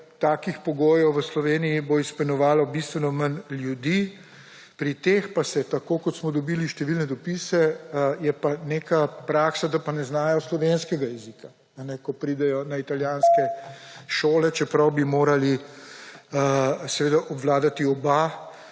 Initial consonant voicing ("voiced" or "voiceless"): voiceless